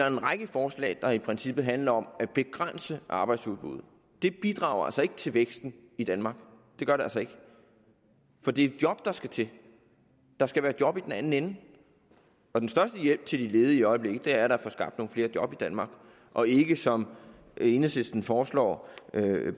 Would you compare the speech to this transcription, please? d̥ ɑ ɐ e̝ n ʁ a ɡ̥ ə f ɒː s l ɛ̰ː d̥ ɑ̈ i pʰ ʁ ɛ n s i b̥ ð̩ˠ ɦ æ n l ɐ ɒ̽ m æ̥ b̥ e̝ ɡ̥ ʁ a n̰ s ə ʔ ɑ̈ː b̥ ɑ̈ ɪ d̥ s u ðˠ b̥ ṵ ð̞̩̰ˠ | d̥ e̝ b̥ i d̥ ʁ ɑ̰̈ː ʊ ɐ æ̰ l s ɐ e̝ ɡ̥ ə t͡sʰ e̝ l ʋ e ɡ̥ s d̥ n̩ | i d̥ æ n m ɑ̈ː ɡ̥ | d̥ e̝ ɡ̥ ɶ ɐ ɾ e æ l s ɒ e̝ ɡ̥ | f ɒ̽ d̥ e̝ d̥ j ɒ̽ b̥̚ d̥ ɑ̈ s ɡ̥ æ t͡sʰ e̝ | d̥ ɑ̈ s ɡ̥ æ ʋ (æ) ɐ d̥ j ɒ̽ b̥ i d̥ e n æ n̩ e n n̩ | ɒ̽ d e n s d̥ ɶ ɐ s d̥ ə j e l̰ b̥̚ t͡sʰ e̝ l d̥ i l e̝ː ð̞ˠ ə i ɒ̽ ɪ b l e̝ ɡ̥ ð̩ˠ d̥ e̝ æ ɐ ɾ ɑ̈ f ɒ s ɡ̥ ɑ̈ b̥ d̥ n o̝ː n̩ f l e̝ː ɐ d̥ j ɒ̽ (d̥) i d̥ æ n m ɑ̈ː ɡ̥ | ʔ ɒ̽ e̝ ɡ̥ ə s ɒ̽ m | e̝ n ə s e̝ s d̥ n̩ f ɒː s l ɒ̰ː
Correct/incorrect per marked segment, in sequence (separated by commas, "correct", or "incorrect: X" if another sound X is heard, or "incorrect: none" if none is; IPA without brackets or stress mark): incorrect: æː, incorrect: b̥